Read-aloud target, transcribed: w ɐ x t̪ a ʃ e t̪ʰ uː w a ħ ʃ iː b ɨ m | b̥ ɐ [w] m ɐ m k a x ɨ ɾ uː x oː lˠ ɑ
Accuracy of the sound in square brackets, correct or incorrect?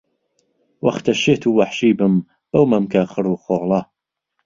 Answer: correct